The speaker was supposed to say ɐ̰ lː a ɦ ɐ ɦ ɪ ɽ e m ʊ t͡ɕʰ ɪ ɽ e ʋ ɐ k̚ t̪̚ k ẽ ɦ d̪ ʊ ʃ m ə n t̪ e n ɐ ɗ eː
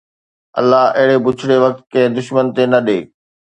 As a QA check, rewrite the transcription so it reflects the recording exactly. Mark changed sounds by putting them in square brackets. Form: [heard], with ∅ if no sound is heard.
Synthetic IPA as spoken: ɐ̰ lː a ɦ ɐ ɦ ɪ ɽ e [b] ʊ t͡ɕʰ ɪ ɽ e ʋ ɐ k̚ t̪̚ k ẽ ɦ d̪ ʊ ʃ m ə n t̪ e n ɐ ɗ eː